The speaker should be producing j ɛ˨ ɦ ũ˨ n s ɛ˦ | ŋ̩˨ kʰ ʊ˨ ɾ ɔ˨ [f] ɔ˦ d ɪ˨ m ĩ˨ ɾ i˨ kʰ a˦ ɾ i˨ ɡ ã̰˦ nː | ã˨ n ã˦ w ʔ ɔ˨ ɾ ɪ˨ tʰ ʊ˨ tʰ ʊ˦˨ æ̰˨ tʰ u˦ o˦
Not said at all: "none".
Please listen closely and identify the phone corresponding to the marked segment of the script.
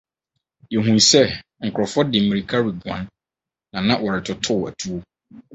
f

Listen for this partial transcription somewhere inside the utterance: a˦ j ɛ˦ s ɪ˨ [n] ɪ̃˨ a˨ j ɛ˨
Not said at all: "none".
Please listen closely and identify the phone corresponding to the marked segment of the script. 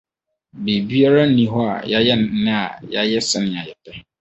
n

